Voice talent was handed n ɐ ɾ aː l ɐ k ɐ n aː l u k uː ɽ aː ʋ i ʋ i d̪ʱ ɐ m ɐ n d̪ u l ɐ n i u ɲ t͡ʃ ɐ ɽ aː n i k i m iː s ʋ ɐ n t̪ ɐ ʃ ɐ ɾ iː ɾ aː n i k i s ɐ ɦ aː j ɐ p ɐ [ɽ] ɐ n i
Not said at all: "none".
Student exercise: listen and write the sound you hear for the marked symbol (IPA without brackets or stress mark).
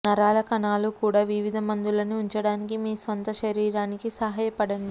ɽ